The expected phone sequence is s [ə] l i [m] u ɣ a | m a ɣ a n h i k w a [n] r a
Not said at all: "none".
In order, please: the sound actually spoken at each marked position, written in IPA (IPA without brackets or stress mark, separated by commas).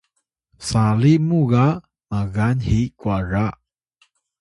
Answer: a, m, none